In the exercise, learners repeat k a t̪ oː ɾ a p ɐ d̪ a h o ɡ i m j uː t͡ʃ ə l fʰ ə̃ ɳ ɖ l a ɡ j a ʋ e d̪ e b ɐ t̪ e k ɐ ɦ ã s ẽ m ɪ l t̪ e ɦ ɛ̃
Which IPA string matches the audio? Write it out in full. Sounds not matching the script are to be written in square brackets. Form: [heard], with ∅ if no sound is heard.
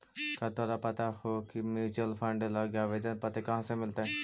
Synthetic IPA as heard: k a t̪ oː ɾ a p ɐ [t̪] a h o [k] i m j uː t͡ʃ ə l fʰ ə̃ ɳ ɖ l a ɡ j a ʋ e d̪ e [p] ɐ t̪ e k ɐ ɦ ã s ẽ m ɪ l t̪ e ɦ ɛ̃